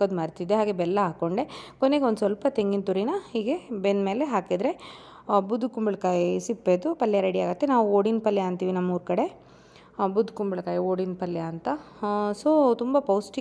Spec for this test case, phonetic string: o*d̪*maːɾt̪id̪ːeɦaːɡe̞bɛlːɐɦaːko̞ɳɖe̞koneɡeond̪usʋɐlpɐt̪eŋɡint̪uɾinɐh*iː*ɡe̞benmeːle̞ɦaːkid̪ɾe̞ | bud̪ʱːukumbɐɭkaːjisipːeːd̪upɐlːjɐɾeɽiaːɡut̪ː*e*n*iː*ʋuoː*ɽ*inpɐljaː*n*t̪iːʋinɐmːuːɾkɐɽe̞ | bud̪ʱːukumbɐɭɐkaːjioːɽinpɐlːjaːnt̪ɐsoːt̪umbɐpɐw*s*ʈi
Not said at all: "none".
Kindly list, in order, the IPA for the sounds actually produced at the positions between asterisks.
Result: d̪, iː, e, aː, ɽ, n, s

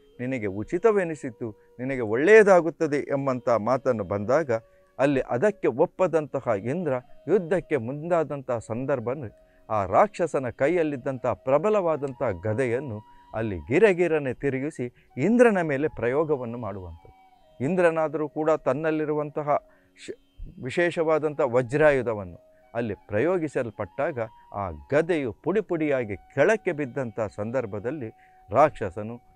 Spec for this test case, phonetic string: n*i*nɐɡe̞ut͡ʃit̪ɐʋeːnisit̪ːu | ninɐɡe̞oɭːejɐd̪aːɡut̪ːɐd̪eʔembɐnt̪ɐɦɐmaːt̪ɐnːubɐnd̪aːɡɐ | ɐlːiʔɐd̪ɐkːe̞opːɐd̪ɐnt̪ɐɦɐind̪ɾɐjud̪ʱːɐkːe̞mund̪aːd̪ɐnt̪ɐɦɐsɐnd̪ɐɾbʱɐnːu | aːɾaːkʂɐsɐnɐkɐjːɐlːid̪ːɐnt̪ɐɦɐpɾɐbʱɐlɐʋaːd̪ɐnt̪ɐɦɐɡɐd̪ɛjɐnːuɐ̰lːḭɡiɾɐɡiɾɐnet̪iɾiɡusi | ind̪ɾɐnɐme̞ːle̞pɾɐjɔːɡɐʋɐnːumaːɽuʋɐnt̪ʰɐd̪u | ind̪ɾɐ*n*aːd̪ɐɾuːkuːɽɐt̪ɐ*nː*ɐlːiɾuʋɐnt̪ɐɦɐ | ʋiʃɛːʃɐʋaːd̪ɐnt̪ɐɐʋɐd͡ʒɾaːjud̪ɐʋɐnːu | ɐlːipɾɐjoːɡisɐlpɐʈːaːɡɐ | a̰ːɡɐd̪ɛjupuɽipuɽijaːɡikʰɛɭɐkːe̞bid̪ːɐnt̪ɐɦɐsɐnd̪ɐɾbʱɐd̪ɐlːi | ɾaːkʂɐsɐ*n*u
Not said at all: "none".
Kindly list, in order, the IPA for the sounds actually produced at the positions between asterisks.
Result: i, n, nː, n

